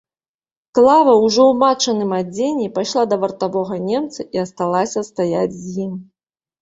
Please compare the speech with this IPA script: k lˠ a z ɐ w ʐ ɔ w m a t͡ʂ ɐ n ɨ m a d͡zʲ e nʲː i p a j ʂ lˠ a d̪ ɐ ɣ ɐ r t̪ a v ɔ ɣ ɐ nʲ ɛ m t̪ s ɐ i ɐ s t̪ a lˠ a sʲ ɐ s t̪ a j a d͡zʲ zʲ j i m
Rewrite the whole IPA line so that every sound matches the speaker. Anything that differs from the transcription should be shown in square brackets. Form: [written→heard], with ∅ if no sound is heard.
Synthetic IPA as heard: k lˠ a [z→v] ɐ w ʐ ɔ w m a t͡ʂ ɐ n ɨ m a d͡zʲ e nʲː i p a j ʂ lˠ a d̪ ɐ [ɣ→v] ɐ r t̪ a v ɔ ɣ ɐ nʲ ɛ m t̪ s ɐ i ɐ s t̪ a lˠ a sʲ ɐ s t̪ a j a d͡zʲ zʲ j i m